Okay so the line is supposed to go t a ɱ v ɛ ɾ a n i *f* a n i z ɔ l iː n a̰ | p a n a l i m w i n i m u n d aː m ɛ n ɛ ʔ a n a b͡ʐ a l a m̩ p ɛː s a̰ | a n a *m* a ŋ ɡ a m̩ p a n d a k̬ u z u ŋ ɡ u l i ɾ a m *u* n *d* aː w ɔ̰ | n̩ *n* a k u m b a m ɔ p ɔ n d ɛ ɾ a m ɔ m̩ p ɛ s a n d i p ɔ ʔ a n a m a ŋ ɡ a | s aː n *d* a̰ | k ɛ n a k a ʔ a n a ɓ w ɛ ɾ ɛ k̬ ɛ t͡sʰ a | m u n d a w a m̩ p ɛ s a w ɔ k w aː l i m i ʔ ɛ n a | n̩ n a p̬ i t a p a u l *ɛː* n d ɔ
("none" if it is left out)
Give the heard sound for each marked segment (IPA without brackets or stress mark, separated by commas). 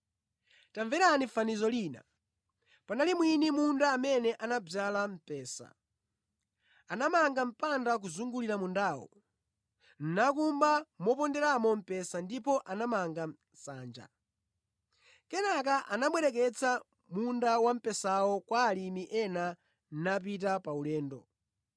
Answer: f, m, u, d, n, d͡ʒ, ɛː